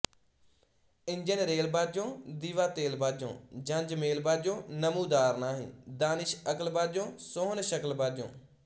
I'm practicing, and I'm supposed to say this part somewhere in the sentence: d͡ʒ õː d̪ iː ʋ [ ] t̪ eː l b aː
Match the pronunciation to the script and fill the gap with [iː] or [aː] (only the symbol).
aː